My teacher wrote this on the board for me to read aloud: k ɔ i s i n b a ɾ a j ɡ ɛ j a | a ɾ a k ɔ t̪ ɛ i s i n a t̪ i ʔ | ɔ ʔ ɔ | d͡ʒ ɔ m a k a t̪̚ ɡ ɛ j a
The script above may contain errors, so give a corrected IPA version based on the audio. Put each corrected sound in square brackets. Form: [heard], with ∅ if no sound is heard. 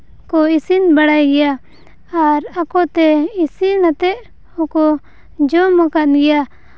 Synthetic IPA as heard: k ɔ i s i n b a [ɽ] a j ɡ ɛ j a | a ɾ a k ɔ t̪ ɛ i s i n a t̪ [ɛ] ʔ | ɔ [k] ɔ | d͡ʒ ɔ m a k a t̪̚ ɡ ɛ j a

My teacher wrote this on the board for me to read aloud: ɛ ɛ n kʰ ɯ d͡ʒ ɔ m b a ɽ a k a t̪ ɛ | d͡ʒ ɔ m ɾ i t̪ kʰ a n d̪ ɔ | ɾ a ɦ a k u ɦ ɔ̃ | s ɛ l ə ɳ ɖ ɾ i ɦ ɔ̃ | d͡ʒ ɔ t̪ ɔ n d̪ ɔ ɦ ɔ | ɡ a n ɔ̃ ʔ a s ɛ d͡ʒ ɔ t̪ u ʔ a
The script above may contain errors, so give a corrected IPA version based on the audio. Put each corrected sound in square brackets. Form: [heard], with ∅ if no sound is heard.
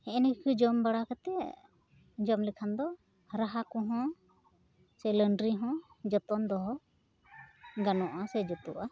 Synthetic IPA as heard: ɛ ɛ n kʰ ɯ d͡ʒ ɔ m b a ɽ a k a t̪ ɛ | d͡ʒ ɔ m [l] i [∅] kʰ a n d̪ ɔ | ɾ a ɦ a k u ɦ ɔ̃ | s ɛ l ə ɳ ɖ ɾ i ɦ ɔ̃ | d͡ʒ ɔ t̪ ɔ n d̪ ɔ ɦ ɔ | ɡ a n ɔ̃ ʔ a s ɛ d͡ʒ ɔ t̪ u ʔ a

